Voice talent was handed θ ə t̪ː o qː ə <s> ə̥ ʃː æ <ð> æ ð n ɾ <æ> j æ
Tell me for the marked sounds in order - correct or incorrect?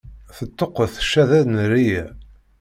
incorrect: θ, correct, incorrect: i

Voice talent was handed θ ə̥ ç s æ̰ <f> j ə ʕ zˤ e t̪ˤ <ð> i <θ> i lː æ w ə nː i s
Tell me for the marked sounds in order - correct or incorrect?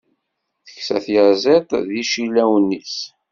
incorrect: θ, correct, incorrect: ʃ

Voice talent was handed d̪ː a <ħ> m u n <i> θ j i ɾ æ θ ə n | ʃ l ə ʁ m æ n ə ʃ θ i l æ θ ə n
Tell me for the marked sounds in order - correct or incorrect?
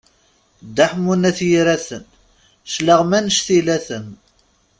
correct, incorrect: æ

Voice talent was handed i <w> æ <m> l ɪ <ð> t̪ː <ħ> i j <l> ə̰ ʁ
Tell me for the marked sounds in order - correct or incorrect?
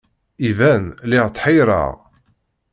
incorrect: v, incorrect: n, incorrect: ʁ, correct, incorrect: ɾ

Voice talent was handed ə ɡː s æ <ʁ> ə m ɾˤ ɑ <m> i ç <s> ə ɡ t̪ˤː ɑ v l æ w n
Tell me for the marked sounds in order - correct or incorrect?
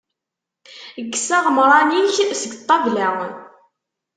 correct, incorrect: n, correct

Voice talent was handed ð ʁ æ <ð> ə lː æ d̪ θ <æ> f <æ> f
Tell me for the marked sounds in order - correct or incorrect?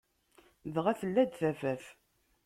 incorrect: θ, correct, correct

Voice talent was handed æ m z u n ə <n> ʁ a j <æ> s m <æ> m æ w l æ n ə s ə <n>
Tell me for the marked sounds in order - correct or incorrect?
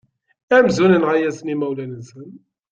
correct, correct, incorrect: i, correct

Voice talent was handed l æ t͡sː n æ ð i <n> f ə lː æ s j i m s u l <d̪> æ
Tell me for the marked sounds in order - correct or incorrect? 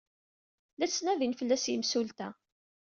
correct, incorrect: t̪

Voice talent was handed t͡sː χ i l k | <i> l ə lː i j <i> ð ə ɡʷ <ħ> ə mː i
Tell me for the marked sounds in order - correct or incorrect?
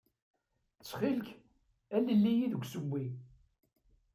incorrect: æ, correct, incorrect: s

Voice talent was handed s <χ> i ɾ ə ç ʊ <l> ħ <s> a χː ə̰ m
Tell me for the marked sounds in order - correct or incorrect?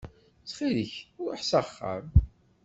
correct, incorrect: ɾ, correct

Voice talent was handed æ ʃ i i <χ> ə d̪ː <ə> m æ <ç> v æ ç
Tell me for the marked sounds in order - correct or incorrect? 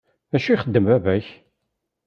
correct, correct, incorrect: none

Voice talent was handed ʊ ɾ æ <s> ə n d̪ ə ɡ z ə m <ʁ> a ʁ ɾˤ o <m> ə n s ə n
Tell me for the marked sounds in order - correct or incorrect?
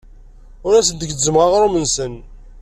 correct, correct, correct

